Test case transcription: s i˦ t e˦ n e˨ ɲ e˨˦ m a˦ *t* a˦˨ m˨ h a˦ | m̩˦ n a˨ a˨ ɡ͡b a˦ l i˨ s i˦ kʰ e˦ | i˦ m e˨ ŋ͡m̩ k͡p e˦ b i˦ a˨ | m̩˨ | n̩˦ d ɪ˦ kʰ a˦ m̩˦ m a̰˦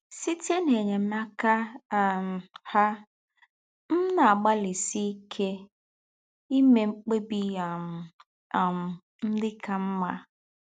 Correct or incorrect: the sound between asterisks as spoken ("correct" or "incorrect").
incorrect